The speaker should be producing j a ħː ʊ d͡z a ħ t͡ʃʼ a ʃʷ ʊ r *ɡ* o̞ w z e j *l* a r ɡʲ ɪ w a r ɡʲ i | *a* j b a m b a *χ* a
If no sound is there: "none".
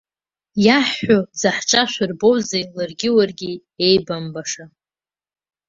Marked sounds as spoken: b, l, e, ʂ

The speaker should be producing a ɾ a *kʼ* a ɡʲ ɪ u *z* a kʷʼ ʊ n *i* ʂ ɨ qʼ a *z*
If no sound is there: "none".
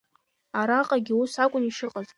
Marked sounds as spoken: qʼ, s, i, z

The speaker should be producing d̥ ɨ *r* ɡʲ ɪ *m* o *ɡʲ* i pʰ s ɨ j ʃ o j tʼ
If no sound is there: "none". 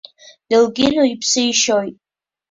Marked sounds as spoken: l, n, none

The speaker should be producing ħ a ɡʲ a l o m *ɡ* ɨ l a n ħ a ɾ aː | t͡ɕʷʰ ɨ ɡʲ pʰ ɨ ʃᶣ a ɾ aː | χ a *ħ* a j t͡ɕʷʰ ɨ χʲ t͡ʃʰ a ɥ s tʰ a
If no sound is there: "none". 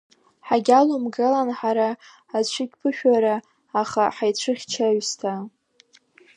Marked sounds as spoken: ɡ, ħ

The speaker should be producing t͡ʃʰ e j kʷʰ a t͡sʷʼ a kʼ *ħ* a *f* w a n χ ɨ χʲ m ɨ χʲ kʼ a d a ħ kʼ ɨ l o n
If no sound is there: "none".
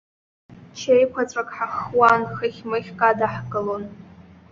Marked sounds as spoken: ħ, χ

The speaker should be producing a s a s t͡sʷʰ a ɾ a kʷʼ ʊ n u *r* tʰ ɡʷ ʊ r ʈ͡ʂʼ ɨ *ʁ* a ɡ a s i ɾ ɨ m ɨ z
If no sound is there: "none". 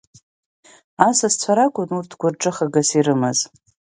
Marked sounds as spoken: r, χ

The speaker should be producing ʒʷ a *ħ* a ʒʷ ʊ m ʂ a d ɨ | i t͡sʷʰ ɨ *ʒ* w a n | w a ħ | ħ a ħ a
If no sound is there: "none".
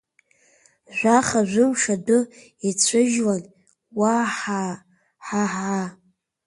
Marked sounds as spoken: χ, ʒ

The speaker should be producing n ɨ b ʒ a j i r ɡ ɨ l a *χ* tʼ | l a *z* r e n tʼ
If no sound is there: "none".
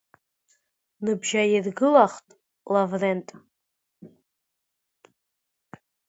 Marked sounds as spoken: χ, v

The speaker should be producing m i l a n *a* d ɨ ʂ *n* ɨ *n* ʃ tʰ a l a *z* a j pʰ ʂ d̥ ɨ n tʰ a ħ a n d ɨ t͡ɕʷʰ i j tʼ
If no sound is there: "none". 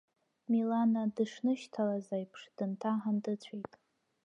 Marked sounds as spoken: a, n, none, z

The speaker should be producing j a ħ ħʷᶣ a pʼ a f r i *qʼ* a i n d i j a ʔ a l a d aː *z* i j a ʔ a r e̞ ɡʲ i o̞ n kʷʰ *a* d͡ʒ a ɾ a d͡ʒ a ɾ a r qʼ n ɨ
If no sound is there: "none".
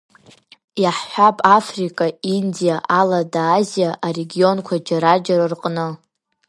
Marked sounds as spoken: kʼ, z, a

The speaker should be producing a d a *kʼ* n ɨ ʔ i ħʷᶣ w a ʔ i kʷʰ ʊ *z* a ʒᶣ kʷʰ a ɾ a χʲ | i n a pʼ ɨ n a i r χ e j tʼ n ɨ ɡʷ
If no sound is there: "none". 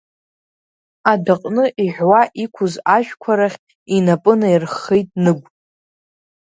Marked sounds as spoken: qʼ, z

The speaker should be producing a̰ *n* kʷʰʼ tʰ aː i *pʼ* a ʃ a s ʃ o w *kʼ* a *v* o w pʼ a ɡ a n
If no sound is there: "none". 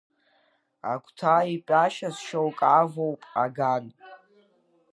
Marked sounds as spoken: none, pʼ, kʼ, v

